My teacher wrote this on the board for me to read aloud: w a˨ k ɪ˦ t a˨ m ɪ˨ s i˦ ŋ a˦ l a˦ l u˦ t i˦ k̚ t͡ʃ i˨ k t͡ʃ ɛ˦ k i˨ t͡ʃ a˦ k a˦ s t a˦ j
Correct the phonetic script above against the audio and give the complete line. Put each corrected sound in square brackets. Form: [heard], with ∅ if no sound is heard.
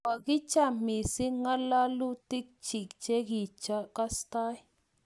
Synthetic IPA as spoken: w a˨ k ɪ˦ [t͡ʃ] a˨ m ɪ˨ s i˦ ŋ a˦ l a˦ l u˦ t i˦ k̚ t͡ʃ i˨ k t͡ʃ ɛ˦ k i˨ t͡ʃ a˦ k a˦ s t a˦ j